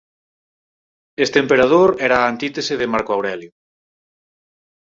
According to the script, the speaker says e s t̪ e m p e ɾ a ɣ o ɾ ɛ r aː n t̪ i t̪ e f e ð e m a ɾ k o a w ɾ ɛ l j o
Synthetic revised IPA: e s t̪ e m p e ɾ a ð o ɾ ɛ ɾ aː n t̪ i t̪ e s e ð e m a ɾ k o a w ɾ ɛ l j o